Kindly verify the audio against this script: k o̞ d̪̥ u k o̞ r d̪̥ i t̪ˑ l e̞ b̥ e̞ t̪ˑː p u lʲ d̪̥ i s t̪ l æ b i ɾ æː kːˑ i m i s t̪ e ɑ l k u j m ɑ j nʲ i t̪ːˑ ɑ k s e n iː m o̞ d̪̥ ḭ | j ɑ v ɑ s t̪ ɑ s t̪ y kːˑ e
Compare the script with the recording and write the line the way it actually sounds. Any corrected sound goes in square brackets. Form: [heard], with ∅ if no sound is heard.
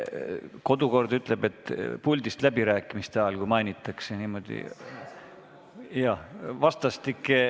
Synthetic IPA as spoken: k o̞ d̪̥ u k o̞ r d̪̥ [y] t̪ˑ l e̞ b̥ e̞ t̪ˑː p u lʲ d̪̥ i s t̪ l æ b i ɾ æː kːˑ i m i s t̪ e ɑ l k u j m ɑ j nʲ i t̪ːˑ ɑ k s e n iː m o̞ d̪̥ ḭ | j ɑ v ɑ s t̪ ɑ s t̪ [i] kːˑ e